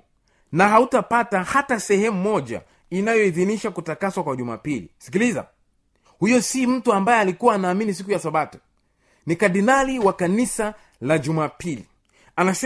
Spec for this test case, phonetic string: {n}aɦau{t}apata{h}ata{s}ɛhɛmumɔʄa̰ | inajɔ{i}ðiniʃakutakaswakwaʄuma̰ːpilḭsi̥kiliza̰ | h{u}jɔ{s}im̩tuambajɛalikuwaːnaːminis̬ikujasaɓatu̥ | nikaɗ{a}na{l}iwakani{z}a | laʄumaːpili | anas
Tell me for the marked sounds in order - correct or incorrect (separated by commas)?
correct, correct, correct, correct, correct, correct, correct, incorrect, correct, incorrect